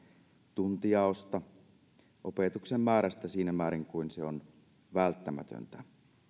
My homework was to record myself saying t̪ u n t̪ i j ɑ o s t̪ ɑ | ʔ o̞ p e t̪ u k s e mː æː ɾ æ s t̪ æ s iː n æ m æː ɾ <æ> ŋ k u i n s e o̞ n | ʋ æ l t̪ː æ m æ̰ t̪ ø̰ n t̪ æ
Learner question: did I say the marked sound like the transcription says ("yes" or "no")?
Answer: no